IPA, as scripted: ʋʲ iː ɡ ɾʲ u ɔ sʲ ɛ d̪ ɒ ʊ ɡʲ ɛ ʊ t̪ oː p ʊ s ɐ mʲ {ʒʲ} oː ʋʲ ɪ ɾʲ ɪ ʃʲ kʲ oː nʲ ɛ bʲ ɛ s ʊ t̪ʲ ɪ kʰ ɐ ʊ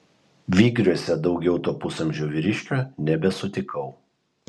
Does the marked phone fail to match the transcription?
no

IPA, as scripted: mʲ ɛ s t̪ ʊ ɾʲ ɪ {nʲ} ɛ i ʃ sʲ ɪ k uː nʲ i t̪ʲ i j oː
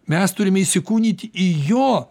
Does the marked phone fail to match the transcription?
yes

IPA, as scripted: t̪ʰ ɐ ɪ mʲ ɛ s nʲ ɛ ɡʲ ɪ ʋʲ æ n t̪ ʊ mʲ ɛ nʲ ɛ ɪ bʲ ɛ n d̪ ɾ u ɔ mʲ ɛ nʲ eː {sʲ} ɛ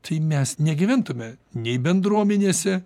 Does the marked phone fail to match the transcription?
no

